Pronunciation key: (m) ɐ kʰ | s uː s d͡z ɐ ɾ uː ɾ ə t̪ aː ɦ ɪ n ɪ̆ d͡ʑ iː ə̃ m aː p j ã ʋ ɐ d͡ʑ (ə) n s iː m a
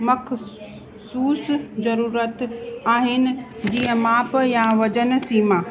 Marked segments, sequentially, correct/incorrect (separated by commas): correct, correct